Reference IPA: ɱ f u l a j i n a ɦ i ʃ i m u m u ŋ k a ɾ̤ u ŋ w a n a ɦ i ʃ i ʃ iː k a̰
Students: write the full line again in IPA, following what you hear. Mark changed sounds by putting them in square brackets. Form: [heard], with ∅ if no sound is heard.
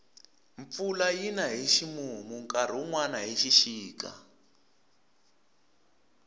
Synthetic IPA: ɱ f u l a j i n a ɦ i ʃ i m u m u ŋ k a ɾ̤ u ŋ w a n a ɦ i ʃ i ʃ iː k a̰

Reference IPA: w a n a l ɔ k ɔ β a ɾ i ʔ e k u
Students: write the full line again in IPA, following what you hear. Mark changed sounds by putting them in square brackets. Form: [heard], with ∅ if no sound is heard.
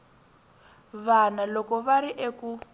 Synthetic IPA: [β] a n a l ɔ k ɔ β a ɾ i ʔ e k u

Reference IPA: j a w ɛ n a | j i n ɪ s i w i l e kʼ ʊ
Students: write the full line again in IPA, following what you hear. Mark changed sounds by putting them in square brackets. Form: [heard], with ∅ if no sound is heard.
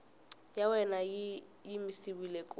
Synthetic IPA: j a w ɛ n a | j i [m] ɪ s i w i l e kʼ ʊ

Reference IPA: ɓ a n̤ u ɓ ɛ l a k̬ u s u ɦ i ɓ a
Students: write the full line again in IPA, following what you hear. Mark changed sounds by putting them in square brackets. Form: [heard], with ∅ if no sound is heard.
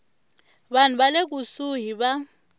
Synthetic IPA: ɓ a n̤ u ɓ [a] l [e] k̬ u s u ɦ i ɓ a

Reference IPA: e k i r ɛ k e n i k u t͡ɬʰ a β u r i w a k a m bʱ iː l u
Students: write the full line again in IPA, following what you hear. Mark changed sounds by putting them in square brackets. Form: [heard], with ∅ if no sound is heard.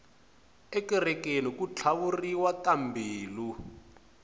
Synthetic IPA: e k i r ɛ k e n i k u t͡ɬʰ a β u r i w a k a m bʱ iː l u

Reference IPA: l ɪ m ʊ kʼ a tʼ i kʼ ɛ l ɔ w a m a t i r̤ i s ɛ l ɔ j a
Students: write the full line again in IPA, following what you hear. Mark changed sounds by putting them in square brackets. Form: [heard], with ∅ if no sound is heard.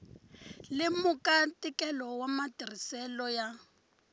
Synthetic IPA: l ɪ m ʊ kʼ a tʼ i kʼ ɛ l ɔ w a m a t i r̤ i s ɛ l ɔ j a

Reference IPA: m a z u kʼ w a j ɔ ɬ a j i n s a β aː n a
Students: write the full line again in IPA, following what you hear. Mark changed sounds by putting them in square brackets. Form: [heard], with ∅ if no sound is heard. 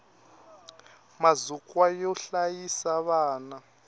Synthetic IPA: m a z u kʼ w a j ɔ ɬ a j i [∅] s a β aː n a

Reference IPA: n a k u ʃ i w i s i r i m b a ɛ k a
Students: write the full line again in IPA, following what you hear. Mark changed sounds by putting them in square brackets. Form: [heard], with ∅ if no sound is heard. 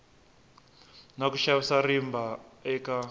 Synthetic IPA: n a k u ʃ [a] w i s [a] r i m b a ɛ k a

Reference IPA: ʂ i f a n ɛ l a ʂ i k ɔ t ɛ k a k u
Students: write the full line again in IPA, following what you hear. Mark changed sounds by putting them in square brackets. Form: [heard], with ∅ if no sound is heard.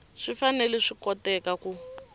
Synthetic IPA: ʂ i f a n ɛ l [ɛ] ʂ i k ɔ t ɛ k a k u

